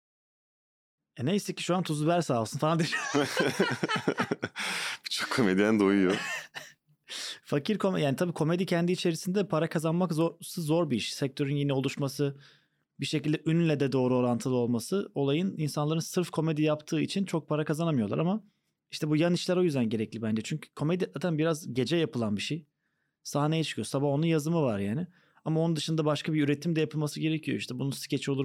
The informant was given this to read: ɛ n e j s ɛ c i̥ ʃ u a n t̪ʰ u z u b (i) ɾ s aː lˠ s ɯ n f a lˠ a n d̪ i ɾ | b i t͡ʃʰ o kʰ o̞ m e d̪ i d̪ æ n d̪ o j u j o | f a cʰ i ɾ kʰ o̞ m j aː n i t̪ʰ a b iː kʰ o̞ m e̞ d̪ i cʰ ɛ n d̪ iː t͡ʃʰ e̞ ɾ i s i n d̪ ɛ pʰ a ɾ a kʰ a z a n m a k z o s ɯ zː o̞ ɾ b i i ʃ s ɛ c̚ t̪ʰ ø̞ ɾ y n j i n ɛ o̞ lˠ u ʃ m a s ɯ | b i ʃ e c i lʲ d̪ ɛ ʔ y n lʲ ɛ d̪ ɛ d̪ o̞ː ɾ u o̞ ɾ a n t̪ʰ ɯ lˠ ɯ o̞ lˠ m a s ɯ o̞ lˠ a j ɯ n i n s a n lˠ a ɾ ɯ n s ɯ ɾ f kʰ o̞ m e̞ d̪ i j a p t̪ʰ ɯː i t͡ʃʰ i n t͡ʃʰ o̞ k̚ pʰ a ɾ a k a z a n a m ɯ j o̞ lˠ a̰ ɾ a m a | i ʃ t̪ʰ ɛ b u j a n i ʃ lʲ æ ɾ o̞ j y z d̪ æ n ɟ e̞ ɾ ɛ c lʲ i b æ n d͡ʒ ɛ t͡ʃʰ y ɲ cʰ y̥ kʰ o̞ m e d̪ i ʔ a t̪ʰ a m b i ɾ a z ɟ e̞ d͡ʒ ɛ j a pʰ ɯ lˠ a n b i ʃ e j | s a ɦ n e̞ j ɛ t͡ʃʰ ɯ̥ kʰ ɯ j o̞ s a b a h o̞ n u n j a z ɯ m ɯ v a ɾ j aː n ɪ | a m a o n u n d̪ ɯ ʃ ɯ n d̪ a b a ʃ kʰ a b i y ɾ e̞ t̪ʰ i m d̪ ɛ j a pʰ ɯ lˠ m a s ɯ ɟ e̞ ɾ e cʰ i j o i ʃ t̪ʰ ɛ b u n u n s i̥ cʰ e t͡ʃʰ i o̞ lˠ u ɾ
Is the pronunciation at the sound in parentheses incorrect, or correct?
incorrect